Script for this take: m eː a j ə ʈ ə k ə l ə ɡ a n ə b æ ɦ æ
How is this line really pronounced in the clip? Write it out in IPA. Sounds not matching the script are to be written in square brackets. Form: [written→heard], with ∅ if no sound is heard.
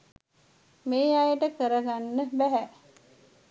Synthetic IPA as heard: m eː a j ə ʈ ə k ə [l→ɾ] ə ɡ a [n→nː] ə b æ ɦ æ